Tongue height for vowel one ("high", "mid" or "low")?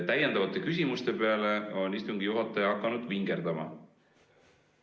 low